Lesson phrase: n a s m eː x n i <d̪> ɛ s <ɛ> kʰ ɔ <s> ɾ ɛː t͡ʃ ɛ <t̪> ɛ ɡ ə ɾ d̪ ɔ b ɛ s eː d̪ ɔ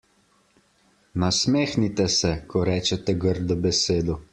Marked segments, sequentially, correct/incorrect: incorrect: t̪, correct, incorrect: none, correct

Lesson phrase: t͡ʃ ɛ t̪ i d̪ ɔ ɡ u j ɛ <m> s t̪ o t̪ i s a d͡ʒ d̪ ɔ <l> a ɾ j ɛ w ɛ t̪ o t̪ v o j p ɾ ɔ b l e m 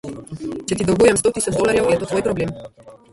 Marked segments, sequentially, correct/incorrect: correct, correct

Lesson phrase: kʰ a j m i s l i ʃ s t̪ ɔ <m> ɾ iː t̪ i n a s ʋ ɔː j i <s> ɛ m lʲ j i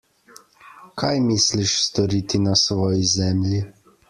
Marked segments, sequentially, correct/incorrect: incorrect: none, incorrect: z

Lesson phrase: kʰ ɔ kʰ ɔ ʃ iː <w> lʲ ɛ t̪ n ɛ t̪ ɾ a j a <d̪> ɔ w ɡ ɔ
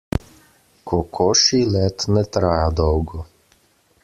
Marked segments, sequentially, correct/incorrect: incorrect: none, correct

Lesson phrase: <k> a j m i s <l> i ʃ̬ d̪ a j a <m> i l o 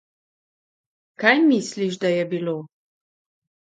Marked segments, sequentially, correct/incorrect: correct, correct, incorrect: b

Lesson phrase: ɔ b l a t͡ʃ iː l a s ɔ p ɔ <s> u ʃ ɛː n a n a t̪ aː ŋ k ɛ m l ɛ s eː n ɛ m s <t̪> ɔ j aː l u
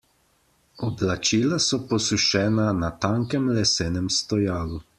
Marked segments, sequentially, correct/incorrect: correct, correct

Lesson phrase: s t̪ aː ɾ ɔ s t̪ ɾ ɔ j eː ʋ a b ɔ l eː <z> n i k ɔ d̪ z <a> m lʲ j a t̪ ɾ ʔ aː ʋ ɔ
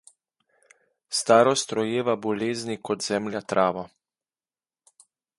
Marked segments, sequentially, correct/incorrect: correct, incorrect: ɛ

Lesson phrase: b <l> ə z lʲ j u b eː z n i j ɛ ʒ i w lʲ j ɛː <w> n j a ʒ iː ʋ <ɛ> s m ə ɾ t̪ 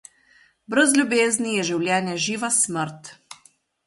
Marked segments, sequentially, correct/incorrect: incorrect: ɾ, incorrect: none, incorrect: a

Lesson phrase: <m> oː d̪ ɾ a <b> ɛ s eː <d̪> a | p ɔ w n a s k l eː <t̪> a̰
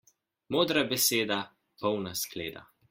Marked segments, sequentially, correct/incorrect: correct, correct, correct, incorrect: d̪

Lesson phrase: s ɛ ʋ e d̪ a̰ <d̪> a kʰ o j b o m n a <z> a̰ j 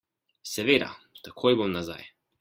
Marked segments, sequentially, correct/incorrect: incorrect: t̪, correct

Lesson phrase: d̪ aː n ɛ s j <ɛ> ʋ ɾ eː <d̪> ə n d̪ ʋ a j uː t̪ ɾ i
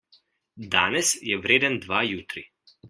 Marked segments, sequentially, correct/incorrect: correct, correct

